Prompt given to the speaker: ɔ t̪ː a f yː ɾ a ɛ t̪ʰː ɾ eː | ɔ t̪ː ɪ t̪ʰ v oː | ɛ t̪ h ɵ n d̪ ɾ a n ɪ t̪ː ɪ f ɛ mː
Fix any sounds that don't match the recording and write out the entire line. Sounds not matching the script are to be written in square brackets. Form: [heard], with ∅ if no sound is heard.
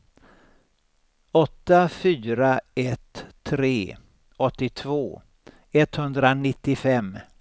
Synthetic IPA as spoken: ɔ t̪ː a f yː ɾ a ɛ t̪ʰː ɾ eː | ɔ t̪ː ɪ t̪ʰ v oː | ɛ t̪ h ɵ n d̪ ɾ a n ɪ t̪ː ɪ f ɛ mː